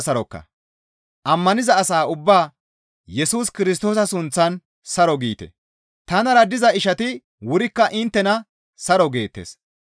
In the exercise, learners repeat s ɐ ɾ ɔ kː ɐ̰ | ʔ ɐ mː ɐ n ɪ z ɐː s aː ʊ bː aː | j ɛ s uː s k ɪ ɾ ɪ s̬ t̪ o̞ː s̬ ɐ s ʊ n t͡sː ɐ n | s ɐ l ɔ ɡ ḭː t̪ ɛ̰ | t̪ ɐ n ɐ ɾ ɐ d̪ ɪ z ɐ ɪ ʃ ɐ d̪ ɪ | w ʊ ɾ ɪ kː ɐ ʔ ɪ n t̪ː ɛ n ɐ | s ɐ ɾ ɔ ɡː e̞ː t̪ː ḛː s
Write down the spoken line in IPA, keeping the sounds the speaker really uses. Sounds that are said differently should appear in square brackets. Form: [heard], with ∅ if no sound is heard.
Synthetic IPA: s ɐ ɾ ɔ kː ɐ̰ | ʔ ɐ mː ɐ n ɪ z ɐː s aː ʊ bː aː | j ɛ s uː s k ɪ ɾ ɪ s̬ t̪ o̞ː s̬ ɐ s ʊ n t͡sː ɐ n | s ɐ [ɾ] ɔ ɡ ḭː t̪ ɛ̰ | t̪ ɐ n ɐ ɾ ɐ d̪ ɪ z ɐ ɪ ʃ ɐ [t̪] ɪ | w ʊ ɾ ɪ kː ɐ ʔ ɪ n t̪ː ɛ n ɐ | s ɐ ɾ ɔ [ɡ] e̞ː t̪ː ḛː s